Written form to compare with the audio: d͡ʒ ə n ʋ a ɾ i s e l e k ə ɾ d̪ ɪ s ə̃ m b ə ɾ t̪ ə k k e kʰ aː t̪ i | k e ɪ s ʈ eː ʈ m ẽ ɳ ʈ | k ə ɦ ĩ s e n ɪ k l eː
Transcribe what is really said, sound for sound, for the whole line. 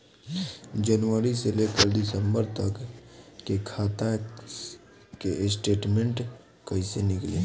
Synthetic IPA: d͡ʒ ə n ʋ ə ɾ i s e l e k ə ɾ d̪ ɪ s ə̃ m b ə ɾ t̪ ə k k e kʰ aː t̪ a | k e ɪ s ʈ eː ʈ m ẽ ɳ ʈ | k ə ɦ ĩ s e n ɪ k l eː